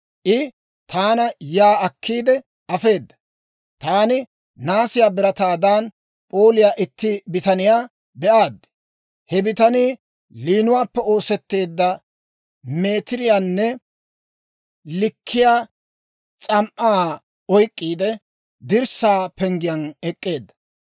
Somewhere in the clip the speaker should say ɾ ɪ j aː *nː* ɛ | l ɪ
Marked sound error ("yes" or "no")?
no